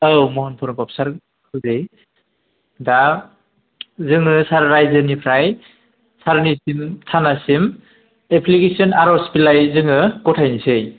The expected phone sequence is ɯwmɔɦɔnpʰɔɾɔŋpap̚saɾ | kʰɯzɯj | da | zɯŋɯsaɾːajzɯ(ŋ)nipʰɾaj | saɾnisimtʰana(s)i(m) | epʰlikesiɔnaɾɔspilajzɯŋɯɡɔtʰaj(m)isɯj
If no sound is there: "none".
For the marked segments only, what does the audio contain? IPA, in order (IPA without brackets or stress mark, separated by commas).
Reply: none, s, m, n